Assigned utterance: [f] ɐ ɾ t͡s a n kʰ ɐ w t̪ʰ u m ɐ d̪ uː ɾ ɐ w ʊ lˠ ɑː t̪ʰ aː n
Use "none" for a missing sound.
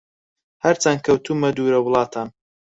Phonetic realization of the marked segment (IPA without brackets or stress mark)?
h